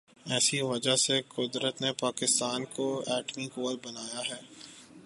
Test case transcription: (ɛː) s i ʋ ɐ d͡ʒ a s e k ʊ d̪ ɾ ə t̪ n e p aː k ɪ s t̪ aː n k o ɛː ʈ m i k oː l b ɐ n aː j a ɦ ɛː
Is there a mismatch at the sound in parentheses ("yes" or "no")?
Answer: no